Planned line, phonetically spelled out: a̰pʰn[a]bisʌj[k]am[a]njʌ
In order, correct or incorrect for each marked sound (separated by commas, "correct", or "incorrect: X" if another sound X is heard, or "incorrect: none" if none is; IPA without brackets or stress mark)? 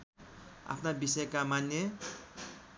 correct, correct, correct